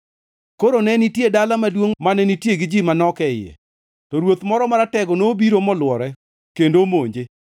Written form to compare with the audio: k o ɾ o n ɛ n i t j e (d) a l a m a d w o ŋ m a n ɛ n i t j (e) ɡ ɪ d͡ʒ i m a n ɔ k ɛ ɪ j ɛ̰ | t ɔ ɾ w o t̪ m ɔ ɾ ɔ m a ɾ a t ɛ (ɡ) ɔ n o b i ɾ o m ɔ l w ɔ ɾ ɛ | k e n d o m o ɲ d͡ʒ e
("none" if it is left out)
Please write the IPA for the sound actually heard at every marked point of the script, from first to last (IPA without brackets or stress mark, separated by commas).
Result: d, e, ɡ